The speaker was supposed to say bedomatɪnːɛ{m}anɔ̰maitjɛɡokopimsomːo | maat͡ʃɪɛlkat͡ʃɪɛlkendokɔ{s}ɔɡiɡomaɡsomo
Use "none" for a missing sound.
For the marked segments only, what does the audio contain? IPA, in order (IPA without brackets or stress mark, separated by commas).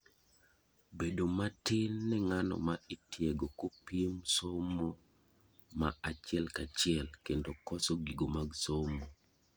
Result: ŋ, s